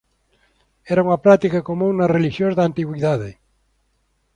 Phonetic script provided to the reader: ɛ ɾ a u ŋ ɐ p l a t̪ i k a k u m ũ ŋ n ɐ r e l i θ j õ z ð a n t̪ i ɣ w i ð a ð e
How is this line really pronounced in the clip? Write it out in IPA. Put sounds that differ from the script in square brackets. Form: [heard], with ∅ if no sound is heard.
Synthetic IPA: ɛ ɾ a u ŋ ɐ p [ɾ] a t̪ i k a k [o] m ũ ŋ n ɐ r e l i [ʃ] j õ z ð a n t̪ i ɣ w i ð a ð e